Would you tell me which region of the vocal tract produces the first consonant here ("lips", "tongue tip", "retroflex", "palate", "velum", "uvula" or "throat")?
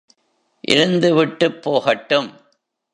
throat